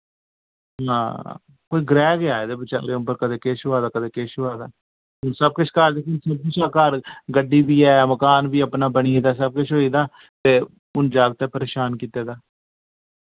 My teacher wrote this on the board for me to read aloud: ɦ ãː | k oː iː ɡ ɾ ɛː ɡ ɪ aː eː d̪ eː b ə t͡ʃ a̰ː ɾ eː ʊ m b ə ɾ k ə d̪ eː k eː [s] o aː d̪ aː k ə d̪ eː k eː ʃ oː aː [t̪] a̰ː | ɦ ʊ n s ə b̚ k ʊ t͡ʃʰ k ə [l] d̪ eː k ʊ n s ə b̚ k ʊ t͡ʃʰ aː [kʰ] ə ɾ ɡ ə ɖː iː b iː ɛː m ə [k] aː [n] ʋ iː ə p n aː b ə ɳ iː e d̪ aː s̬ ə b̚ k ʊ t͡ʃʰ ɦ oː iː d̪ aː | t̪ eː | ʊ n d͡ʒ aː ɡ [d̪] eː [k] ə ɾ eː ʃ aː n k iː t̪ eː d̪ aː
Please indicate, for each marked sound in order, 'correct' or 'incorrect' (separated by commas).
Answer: incorrect, incorrect, incorrect, incorrect, correct, correct, incorrect, incorrect